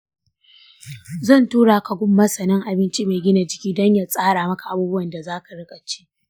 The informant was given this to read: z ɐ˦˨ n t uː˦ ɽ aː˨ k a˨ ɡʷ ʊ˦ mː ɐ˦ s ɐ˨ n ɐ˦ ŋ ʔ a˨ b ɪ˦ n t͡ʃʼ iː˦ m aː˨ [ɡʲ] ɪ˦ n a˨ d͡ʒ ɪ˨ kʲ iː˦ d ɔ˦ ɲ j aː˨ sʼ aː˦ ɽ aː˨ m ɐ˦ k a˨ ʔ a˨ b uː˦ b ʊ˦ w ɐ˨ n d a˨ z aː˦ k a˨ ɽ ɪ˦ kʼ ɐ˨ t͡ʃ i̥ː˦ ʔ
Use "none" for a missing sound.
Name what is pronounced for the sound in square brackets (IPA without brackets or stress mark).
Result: ɡʲ